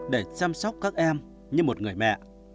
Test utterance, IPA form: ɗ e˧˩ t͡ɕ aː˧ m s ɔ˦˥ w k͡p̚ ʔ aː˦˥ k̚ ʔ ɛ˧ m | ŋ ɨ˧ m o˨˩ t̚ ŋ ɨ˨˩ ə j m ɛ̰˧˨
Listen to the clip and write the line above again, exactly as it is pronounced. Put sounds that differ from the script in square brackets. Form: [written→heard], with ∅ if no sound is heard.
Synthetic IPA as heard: ɗ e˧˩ t͡ɕ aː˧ m s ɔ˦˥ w k͡p̚ [ʔ→k] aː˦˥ k̚ ʔ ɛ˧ m | [ŋ→ɲ] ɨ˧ m o˨˩ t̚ ŋ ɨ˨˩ ə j m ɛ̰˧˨